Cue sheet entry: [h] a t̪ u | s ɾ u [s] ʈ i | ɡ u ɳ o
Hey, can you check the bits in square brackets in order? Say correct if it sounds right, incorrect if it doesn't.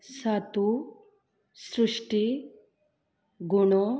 incorrect: s, incorrect: ʂ

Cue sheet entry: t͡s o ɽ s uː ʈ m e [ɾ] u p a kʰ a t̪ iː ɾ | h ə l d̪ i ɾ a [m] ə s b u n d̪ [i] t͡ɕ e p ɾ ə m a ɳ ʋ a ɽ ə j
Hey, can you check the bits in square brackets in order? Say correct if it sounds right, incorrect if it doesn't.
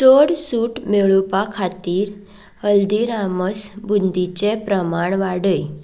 incorrect: ɭ, correct, correct

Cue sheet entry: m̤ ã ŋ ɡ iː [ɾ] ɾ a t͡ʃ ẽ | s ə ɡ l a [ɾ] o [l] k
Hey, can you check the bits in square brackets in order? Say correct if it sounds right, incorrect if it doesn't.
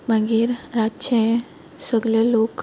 correct, incorrect: l, incorrect: none

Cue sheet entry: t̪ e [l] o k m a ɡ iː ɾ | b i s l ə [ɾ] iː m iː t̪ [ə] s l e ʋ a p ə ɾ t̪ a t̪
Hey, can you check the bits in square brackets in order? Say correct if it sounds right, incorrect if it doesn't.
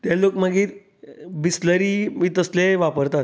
correct, correct, correct

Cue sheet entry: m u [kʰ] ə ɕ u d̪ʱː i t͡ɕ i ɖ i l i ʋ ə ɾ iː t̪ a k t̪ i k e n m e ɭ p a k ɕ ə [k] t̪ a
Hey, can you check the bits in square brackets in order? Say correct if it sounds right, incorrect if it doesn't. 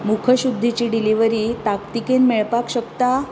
correct, correct

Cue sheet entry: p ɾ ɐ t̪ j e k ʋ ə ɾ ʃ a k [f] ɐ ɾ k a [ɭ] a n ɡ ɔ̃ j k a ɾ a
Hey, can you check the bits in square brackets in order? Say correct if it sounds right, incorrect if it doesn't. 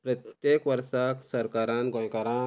incorrect: s, incorrect: ɾ

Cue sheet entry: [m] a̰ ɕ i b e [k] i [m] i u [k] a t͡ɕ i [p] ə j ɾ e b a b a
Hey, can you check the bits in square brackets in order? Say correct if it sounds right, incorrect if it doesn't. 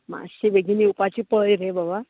correct, incorrect: ɡ, incorrect: n, incorrect: p, correct

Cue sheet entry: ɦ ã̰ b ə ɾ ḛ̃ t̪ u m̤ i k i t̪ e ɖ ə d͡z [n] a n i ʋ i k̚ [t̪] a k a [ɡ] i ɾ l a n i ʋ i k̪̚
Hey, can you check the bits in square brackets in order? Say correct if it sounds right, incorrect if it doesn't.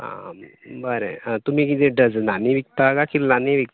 correct, correct, incorrect: k

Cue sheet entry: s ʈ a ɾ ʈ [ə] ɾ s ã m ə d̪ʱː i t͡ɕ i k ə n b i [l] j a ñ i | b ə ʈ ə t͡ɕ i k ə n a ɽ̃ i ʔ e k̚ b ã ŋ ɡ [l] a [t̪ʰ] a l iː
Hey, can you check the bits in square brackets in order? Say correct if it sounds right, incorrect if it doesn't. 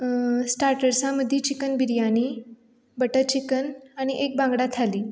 correct, incorrect: ɾ, incorrect: ɽ, correct

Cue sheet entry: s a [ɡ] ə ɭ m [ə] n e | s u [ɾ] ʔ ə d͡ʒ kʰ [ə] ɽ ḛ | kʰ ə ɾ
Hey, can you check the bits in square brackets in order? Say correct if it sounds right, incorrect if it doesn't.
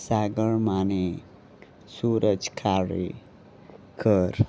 correct, incorrect: a, correct, incorrect: a

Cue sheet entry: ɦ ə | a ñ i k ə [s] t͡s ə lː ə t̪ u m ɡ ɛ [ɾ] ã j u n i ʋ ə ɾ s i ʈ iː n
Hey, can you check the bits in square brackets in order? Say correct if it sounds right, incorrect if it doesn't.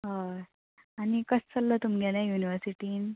correct, incorrect: l

